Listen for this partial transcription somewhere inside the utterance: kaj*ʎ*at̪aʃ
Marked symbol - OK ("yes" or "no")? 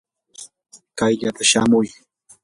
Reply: yes